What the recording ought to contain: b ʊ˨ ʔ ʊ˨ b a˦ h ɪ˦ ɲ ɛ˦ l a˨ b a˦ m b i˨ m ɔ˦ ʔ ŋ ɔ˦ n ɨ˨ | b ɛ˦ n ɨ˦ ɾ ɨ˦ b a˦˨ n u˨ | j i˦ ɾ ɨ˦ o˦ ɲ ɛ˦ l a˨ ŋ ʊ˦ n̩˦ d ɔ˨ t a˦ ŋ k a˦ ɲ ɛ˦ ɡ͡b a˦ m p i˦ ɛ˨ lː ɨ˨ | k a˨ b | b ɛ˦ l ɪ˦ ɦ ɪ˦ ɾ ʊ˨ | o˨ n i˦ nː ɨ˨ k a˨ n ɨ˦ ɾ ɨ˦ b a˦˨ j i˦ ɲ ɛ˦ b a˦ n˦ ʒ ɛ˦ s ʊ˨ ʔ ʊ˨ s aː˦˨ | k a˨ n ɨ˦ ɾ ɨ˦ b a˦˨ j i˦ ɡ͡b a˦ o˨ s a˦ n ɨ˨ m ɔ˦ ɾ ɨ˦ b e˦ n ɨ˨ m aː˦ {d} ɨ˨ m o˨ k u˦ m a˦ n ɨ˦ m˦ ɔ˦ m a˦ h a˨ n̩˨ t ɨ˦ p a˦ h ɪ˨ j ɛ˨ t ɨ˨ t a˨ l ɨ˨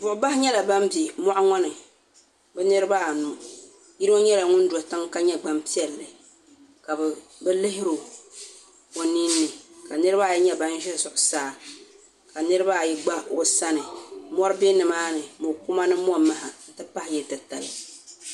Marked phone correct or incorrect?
incorrect